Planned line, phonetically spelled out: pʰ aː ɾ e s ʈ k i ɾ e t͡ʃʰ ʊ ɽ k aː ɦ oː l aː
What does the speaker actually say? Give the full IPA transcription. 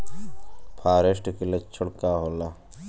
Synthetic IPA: pʰ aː ɾ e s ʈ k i l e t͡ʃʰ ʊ ɽ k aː ɦ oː l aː